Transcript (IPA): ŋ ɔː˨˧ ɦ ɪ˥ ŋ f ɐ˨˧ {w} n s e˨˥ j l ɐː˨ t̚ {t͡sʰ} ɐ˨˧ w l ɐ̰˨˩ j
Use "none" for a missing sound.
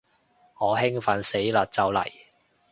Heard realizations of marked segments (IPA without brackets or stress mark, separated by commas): none, t͡s